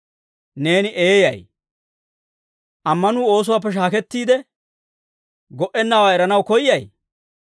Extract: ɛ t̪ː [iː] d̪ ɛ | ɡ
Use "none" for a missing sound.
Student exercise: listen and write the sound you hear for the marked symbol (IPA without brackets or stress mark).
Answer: iː